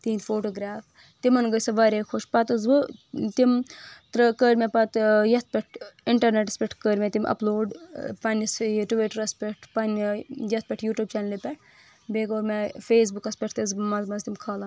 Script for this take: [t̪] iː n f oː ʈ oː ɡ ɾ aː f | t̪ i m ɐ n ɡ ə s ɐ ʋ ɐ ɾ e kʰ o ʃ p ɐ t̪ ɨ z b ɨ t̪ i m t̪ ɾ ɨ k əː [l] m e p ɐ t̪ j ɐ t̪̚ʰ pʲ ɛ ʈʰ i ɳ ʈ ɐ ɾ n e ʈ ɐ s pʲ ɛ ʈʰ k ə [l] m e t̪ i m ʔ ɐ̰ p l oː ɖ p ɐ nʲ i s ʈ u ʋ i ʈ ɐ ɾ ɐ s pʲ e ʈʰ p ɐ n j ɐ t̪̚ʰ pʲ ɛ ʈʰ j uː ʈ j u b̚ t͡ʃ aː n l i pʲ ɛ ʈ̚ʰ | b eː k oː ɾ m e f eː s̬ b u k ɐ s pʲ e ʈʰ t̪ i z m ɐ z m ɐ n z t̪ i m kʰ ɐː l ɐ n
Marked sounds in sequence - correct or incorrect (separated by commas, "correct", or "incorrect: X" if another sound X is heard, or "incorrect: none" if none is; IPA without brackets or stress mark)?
correct, incorrect: ɾ, incorrect: ɾ